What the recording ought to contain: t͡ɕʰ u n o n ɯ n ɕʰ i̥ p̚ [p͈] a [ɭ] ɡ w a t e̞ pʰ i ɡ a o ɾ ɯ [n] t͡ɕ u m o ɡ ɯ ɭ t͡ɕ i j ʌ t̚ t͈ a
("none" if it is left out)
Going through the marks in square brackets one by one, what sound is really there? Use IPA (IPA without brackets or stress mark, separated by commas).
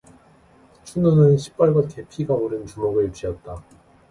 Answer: p͈, ɭ, n